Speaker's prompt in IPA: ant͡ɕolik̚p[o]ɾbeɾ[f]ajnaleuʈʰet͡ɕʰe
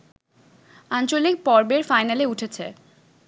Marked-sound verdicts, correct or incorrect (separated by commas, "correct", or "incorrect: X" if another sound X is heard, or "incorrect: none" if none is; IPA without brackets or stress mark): incorrect: ɔ, correct